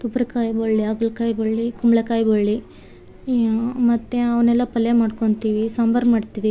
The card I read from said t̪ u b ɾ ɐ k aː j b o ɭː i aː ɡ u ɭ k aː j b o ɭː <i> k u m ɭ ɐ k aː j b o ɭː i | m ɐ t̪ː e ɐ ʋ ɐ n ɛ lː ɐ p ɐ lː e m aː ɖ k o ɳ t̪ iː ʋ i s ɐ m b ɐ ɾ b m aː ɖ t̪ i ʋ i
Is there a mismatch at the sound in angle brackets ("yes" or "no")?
no